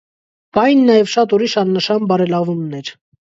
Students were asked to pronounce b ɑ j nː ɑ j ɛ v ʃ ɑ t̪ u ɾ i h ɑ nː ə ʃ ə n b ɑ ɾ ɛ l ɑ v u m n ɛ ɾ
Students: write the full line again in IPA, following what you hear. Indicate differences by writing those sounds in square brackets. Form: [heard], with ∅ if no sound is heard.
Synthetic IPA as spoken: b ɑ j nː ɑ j ɛ v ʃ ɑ t̪ u ɾ i [ʃ] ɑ nː ə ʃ [ɑ] n b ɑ ɾ ɛ l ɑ v u m n ɛ ɾ